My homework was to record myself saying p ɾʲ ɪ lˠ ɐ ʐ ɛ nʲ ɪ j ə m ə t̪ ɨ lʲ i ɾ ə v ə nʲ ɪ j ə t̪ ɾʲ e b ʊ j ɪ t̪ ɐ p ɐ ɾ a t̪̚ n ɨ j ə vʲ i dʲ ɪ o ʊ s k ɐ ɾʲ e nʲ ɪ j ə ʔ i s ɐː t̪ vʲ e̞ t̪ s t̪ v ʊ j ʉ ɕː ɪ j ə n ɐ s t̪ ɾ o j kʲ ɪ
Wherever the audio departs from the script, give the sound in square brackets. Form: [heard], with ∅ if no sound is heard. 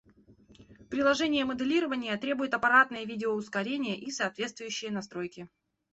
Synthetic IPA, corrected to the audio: p ɾʲ ɪ lˠ ɐ ʐ ɛ nʲ ɪ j ə m ə [d̪] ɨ lʲ i ɾ ə v ə nʲ ɪ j ə t̪ ɾʲ e b ʊ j ɪ t̪ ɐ p ɐ ɾ a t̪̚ n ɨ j ə vʲ i dʲ ɪ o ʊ s k ɐ ɾʲ e nʲ ɪ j ə ʔ i s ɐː t̪ vʲ e̞ t̪ s t̪ v ʊ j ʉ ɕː ɪ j ə n ɐ s t̪ ɾ o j kʲ ɪ